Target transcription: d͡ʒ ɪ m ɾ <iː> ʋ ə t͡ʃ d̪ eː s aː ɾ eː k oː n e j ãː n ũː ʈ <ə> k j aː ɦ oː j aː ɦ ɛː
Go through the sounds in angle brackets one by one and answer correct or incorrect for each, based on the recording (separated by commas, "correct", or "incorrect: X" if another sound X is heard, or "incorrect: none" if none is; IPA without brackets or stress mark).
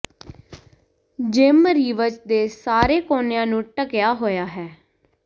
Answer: correct, correct